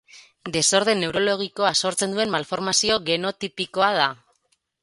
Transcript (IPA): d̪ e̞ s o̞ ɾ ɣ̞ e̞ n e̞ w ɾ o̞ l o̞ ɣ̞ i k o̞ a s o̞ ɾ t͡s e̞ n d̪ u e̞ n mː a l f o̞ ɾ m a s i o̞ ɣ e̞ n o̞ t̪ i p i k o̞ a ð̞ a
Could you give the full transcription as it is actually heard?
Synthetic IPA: d̪ e̞ s o̞ ɾ ð̞ e̞ n e̞ w ɾ o̞ l o̞ ɣ̞ i k o̞ a s o̞ ɾ t͡s e̞ n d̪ u e̞ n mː a l f o̞ ɾ m a s i o̞ ɣ e̞ n o̞ t̪ i p i k o̞ a ð̞ a

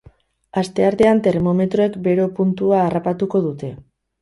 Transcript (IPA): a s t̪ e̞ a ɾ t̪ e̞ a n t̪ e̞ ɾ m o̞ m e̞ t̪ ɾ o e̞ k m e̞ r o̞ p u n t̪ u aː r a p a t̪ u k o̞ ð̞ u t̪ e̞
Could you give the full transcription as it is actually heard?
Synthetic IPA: a s t̪ e̞ a ɾ t̪ e̞ a n t̪ e̞ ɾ m o̞ m e̞ t̪ ɾ o e̞ k b e̞ ɾ o̞ p u n t̪ u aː r a p a t̪ u k o̞ ð̞ u t̪ e̞

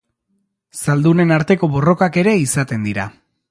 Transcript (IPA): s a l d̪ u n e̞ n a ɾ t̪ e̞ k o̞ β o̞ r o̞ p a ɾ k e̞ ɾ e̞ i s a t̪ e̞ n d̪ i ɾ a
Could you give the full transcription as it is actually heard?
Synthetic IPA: s a l d̪ u n e̞ n a ɾ t̪ e̞ k o̞ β o̞ r o̞ k a k e̞ ɾ e̞ i s a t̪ e̞ n d̪ i ɾ a

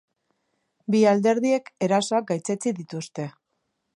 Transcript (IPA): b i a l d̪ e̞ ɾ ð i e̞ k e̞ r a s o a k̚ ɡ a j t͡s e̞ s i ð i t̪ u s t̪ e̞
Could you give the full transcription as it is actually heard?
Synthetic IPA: b i a l d̪ e̞ ɾ ð i e̞ k e̞ ɾ a s o a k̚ ɡ a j t͡s e̞ t͡s i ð i t̪ u s t̪ e̞

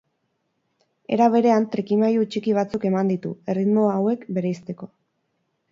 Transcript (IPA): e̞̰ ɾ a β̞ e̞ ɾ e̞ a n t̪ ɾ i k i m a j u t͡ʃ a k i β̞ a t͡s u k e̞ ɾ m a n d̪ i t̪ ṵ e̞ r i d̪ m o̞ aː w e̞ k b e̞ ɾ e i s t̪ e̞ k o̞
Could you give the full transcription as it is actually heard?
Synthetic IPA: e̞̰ ɾ a β̞ e̞ ɾ e̞ a n t̪ ɾ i k i m a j u t͡ʃ i k i β̞ a t͡s u k e̞ m a n d̪ i t̪ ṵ e̞ r i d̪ m o̞ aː w e̞ k b e̞ ɾ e i s t̪ e̞ k o̞

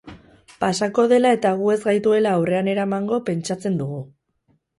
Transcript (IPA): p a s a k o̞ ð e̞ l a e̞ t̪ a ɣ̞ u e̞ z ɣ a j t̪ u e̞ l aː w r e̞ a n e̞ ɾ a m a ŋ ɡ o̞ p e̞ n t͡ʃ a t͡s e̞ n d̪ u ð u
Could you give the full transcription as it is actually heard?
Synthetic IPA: p a s a k o̞ ð e̞ l a e̞ t̪ a ɣ̞ u e̞ z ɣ a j t̪ u e̞ l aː w r e̞ a n e̞ ɾ a m a ŋ ɡ o̞ p e̞ n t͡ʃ a t͡s e̞ n d̪ u ɣ u

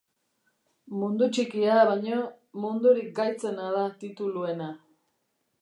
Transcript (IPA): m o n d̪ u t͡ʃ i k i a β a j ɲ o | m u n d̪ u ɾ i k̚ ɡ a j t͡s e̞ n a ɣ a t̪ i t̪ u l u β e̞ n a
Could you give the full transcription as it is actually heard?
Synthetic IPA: m u n d̪ u t͡ʃ i k i a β a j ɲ o | m u n d̪ u ɾ i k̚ ɡ a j t͡s e̞ n a ð a t̪ i t̪ u l u e̞ n a

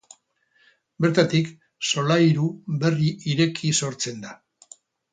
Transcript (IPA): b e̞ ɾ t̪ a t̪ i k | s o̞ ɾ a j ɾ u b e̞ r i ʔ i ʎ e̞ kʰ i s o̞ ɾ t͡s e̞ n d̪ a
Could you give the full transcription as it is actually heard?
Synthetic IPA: b e̞ ɾ t̪ a t̪ i k | s o̞ l a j ɾ u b e̞ r i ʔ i ɾ e̞ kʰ i s o̞ ɾ t͡s e̞ n d̪ a

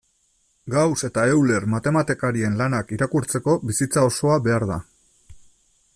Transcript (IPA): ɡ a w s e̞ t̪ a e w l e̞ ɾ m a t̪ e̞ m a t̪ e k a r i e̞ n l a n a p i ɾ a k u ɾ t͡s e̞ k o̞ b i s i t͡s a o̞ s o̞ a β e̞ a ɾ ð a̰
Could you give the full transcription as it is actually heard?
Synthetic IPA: ɡ a w s e̞ t̪ a e w l e̞ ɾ m a t̪ e̞ m a t̪ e k a ɾ i e̞ n l a n a k i ɾ a k u ɾ t͡s e̞ k o̞ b i s i t͡s a o̞ s o̞ a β e̞ a ɾ ð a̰

